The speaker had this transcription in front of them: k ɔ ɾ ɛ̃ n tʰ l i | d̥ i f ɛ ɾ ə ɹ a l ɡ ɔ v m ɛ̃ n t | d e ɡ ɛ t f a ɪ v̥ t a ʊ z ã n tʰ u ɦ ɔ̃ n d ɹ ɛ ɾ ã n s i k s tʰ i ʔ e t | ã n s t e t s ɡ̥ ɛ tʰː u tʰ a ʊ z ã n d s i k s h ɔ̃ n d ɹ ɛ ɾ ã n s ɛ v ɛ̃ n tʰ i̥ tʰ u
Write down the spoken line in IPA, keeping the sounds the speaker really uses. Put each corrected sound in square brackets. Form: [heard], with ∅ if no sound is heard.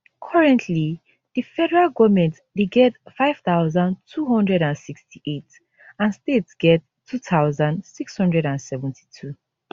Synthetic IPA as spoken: [kʰ] ɔ [ɹ] ɛ̃ n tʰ l i | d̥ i f ɛ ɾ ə ɹ a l ɡ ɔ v m ɛ̃ n t | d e ɡ ɛ t f a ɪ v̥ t a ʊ z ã n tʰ u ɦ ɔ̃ n d ɹ ɛ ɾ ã n s i k s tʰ i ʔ e t | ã n s t e t s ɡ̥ ɛ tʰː u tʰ a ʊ z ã n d s i k s h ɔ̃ n d ɹ ɛ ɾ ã n s ɛ v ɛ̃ n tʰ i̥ tʰ u